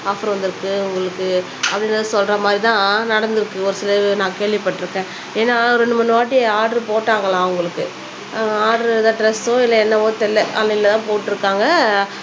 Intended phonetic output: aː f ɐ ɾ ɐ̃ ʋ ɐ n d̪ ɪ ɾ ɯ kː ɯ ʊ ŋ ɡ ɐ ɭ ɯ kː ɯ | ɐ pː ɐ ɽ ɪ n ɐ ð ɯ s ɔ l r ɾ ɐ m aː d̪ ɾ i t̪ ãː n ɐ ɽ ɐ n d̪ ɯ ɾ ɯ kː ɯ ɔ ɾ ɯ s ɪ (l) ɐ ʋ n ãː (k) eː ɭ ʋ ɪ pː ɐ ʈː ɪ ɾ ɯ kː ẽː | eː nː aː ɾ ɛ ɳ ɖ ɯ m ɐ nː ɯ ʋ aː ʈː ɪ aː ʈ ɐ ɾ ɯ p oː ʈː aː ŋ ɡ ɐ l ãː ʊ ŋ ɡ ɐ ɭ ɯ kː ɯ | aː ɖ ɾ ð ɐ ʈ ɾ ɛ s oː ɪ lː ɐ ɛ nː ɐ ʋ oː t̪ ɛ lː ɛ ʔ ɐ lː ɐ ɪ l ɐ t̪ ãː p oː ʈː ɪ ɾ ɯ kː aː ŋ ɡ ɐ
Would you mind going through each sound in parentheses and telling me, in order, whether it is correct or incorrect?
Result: correct, correct

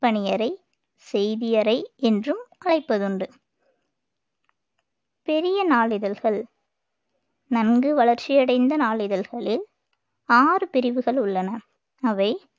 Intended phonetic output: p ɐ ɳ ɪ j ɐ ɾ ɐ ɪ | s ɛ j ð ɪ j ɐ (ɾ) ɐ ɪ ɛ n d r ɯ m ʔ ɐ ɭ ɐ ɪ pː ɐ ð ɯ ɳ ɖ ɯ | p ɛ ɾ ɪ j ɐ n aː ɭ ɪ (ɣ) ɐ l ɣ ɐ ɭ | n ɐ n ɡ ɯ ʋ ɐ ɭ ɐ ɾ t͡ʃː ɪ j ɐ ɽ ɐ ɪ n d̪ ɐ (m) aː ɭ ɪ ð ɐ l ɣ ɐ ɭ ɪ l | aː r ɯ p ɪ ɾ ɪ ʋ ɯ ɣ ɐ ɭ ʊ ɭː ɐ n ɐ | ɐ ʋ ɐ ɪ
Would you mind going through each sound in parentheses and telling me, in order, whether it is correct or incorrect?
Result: correct, incorrect: ð, incorrect: n

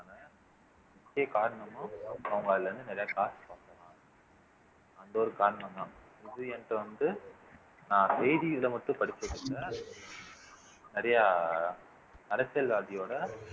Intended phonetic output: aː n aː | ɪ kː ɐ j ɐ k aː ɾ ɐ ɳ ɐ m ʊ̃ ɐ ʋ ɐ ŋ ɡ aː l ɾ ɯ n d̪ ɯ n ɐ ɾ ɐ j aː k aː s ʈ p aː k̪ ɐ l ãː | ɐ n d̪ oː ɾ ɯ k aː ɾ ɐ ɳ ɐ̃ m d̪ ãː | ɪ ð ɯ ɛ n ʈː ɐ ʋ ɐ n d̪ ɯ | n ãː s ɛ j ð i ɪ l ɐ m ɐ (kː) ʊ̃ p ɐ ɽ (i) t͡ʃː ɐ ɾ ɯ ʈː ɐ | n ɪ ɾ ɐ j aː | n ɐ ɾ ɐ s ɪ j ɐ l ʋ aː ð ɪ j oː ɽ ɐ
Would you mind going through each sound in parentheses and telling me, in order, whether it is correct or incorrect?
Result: incorrect: ʈː, incorrect: ɪ

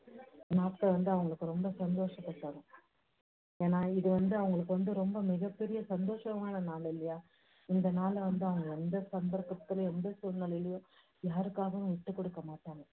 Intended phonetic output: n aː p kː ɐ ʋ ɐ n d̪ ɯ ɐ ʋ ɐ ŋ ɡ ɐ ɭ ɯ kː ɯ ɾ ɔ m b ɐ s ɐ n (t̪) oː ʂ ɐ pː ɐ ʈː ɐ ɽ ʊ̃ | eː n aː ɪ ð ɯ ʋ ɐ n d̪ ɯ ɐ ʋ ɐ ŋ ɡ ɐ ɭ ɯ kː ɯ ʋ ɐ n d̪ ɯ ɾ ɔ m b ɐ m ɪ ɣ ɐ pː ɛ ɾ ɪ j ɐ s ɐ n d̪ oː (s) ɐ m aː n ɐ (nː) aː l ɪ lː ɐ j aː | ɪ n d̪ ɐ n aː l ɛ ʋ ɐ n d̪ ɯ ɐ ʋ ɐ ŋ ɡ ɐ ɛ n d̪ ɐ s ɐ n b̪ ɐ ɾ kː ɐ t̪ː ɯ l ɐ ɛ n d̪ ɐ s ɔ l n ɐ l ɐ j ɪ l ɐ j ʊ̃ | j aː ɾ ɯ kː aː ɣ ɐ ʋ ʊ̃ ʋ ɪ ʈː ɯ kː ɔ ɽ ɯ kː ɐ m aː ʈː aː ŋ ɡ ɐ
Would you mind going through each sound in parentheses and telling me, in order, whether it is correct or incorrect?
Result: incorrect: d̪, incorrect: ʂ, incorrect: n

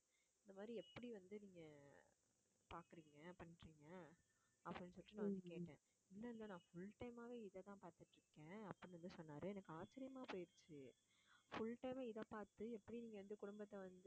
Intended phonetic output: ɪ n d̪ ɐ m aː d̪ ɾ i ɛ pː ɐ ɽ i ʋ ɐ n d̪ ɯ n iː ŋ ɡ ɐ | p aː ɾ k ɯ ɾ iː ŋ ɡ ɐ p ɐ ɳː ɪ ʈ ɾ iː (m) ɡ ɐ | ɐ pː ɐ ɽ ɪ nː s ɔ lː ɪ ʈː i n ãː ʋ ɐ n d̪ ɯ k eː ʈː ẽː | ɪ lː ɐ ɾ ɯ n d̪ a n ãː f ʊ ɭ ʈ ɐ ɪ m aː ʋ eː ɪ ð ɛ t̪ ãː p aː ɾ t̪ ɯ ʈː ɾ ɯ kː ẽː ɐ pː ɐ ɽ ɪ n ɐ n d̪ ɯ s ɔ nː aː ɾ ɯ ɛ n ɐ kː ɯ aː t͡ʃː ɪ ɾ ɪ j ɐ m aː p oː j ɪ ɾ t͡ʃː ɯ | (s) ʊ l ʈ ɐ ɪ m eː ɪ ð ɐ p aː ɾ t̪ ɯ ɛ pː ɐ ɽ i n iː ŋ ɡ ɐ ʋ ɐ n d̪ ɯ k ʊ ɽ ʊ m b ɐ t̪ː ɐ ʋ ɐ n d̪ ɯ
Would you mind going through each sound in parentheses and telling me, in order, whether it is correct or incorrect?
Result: incorrect: ŋ, incorrect: f

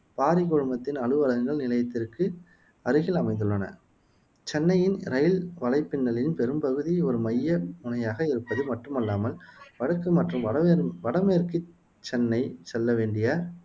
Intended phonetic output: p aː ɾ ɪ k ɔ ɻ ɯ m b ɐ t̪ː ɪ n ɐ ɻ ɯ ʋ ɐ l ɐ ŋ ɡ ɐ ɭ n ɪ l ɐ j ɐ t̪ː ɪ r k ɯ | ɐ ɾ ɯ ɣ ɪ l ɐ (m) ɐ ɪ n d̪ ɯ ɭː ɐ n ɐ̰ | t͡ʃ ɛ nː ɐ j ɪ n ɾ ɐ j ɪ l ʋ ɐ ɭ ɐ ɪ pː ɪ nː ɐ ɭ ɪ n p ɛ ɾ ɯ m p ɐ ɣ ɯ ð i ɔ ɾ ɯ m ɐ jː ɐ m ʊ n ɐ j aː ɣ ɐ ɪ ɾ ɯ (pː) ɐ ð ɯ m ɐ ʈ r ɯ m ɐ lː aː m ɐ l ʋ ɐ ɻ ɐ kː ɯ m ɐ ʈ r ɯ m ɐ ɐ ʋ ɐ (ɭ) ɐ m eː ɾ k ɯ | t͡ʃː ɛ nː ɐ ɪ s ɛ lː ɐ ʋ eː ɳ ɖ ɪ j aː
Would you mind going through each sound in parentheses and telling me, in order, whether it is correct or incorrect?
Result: correct, correct, incorrect: ɽ

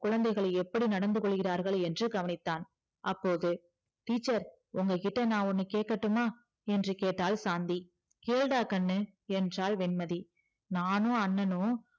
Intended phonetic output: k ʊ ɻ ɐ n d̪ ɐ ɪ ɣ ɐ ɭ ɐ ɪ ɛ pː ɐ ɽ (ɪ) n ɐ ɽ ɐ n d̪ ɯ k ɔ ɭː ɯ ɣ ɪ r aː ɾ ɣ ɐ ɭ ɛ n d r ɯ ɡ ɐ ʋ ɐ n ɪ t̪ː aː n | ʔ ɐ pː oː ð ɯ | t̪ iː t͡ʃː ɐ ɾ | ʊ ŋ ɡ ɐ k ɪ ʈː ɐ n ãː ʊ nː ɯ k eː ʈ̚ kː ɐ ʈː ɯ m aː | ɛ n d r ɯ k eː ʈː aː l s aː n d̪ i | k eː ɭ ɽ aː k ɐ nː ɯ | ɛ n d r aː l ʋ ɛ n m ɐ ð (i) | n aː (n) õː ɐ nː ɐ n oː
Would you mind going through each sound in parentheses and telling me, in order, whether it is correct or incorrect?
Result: incorrect: i, correct, correct

